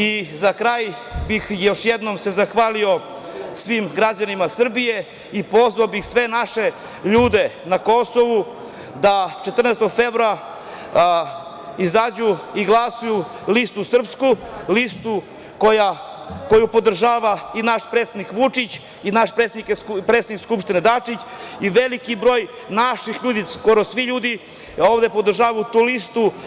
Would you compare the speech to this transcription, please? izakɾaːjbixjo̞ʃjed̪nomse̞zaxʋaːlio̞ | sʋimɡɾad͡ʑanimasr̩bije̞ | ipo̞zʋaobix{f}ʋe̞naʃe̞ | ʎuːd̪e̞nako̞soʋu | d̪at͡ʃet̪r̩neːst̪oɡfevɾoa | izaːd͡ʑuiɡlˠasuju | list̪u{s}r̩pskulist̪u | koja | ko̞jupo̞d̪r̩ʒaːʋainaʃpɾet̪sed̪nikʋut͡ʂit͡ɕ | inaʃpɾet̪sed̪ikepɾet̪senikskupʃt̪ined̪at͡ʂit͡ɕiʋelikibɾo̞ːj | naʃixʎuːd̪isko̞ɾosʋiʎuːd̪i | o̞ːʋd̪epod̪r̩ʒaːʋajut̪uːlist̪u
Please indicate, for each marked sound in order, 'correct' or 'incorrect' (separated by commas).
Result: incorrect, correct